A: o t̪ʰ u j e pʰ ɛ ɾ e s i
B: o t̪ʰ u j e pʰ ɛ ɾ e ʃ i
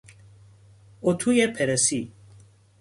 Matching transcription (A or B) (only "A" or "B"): A